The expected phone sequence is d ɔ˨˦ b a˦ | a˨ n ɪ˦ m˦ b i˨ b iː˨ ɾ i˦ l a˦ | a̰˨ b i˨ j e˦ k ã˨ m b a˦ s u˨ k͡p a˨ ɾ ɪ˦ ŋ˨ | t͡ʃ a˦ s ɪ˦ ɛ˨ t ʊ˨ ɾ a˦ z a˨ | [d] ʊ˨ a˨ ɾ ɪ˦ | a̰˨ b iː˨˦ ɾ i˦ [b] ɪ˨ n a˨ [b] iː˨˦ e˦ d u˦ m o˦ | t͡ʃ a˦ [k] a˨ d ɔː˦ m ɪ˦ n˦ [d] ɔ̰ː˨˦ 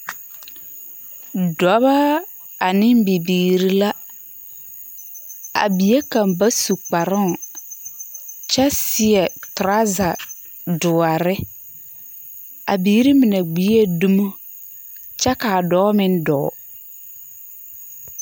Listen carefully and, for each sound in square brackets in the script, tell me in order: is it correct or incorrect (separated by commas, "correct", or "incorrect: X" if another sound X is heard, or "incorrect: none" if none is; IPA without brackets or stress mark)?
correct, incorrect: m, incorrect: ɡ͡b, correct, correct